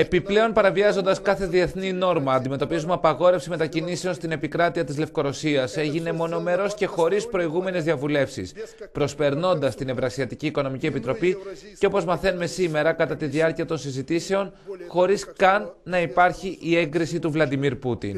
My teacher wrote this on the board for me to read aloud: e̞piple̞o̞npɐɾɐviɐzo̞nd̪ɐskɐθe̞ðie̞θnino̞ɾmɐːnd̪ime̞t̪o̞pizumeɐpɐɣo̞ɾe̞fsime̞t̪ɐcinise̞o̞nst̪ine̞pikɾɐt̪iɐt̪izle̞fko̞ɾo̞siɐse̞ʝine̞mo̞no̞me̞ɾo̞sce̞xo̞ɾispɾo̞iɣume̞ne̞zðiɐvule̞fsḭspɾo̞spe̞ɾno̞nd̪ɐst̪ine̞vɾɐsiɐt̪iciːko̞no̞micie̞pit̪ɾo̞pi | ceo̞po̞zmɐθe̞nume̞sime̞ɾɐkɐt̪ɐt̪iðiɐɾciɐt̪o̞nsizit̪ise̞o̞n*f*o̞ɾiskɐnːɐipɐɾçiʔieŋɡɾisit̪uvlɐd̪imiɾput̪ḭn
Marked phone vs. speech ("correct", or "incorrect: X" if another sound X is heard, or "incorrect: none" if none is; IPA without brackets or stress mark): incorrect: x